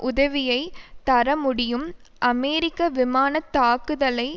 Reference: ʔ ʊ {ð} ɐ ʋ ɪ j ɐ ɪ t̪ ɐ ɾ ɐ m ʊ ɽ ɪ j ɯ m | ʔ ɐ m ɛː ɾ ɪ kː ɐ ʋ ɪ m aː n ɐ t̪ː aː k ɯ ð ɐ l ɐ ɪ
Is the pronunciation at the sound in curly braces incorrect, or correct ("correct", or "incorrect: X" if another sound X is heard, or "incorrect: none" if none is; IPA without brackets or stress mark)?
correct